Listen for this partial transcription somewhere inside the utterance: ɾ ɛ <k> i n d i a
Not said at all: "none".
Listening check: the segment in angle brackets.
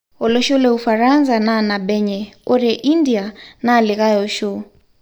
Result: ʔ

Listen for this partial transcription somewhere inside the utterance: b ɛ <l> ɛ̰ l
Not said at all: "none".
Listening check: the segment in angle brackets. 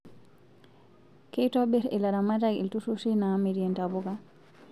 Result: ɾ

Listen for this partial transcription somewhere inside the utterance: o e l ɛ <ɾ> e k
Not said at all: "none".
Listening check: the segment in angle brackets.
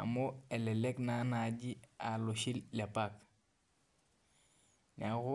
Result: l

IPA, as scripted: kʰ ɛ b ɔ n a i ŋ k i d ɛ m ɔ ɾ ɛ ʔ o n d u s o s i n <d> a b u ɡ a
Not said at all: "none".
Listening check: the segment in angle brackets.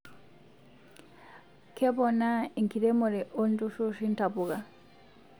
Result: t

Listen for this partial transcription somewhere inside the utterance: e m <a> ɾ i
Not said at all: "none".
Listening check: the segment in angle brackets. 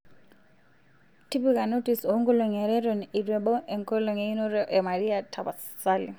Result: a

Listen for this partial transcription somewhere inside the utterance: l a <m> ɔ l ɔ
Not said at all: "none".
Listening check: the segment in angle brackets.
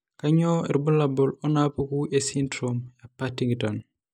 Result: b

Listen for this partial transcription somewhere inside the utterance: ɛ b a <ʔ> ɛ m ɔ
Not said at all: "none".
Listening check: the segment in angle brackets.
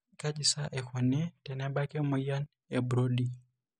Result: k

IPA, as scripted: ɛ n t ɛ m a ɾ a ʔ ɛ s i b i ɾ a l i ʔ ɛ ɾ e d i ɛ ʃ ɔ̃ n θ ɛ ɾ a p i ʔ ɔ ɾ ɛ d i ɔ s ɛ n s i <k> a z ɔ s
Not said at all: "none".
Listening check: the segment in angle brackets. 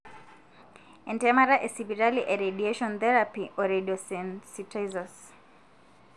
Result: t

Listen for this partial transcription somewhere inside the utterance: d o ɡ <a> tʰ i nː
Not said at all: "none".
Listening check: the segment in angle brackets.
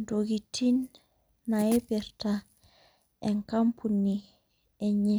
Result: i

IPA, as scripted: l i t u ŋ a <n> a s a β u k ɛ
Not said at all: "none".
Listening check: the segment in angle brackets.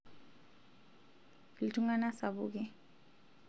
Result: n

